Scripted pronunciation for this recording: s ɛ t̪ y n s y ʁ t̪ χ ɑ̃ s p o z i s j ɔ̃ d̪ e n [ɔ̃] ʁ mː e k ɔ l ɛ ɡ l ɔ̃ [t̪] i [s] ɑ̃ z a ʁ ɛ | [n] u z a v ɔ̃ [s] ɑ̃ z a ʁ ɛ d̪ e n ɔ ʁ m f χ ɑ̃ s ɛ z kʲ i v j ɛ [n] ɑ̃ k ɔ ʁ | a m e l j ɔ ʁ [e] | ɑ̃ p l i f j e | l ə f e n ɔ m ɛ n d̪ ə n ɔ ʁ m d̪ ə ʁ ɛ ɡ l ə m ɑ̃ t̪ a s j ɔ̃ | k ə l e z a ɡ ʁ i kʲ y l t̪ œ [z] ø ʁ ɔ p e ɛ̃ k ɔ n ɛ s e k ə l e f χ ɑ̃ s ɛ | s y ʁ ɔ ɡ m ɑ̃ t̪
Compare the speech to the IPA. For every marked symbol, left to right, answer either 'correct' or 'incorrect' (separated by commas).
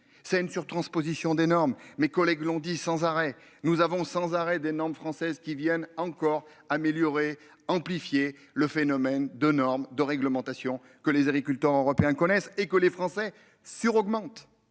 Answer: incorrect, incorrect, correct, correct, correct, correct, correct, incorrect